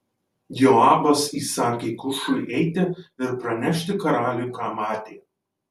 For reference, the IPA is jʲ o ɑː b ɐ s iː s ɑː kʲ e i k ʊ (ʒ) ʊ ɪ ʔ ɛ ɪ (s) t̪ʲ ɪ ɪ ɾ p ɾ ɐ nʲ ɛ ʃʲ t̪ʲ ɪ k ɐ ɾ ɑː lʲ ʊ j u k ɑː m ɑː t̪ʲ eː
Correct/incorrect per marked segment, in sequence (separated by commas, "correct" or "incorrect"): incorrect, incorrect